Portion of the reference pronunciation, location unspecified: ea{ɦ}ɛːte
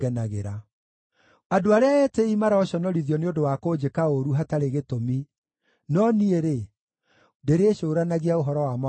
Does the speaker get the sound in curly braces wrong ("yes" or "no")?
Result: yes